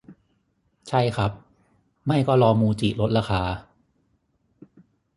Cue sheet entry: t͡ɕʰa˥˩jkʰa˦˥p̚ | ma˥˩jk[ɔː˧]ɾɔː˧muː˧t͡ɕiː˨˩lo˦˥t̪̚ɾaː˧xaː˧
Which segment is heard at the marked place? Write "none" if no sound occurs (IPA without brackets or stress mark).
ɔː˥˩